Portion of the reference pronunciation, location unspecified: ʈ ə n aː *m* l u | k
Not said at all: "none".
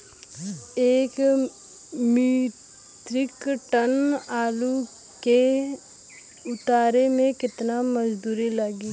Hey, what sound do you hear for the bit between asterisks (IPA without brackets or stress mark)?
none